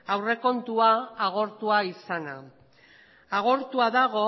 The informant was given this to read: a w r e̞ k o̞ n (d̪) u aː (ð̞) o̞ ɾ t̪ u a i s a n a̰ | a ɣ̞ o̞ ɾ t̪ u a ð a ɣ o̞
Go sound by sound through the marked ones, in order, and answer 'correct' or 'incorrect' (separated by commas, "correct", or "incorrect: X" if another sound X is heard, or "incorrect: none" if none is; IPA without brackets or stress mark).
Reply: incorrect: t̪, incorrect: ɣ̞